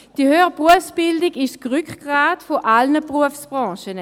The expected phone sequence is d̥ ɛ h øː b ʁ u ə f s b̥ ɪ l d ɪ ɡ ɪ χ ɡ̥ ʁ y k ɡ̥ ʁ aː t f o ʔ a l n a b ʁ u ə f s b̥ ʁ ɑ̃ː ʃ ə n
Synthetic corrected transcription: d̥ i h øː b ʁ u ə f s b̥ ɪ l d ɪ ɡ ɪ ʃ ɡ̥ ʁ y k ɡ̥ ʁ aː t f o ʔ a l n ə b ʁ u ə f s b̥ ʁ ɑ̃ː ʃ ə n